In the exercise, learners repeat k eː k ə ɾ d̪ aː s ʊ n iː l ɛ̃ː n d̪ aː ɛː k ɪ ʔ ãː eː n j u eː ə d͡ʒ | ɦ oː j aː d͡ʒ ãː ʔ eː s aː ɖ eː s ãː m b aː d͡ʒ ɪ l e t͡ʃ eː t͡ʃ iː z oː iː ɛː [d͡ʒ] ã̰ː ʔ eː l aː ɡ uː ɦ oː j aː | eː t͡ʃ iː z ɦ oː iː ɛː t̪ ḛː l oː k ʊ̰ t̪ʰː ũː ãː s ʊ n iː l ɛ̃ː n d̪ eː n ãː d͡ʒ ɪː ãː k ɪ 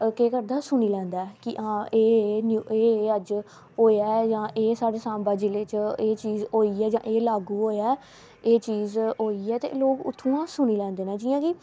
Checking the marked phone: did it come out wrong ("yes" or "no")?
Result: no